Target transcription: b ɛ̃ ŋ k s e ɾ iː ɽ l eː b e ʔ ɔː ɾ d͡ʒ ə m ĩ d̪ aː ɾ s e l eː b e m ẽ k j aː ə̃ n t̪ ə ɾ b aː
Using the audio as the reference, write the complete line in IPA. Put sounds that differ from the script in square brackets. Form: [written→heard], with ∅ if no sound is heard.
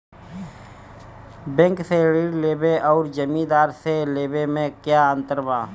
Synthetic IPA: b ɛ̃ ŋ k s e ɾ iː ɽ l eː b e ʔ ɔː ɾ d͡ʒ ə m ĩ d̪ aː ɾ s e l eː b e m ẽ k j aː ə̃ n t̪ ə ɾ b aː